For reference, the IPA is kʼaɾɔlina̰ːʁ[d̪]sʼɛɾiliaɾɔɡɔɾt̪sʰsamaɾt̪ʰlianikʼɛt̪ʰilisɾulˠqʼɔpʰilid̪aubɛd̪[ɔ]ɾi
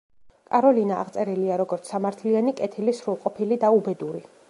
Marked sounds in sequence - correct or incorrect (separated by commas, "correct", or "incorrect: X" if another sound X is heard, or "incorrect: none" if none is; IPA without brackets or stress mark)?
incorrect: t̪, incorrect: u